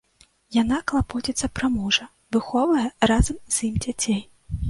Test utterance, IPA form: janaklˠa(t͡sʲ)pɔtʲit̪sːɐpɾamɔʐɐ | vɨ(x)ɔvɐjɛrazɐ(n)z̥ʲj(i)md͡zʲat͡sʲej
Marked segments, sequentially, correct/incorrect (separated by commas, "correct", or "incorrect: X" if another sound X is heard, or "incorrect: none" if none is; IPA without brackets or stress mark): incorrect: none, correct, incorrect: m, correct